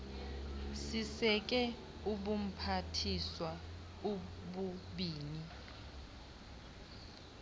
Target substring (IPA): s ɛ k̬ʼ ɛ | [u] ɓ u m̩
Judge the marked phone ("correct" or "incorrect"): correct